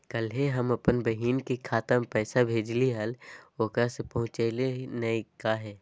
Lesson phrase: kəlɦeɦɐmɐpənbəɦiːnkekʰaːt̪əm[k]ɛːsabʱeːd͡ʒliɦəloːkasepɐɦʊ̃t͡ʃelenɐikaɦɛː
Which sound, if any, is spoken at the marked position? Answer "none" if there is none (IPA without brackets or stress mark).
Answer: p